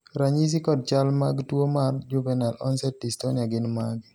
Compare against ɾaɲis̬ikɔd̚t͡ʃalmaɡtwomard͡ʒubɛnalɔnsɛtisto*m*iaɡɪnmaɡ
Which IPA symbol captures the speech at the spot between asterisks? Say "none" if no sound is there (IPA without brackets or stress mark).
n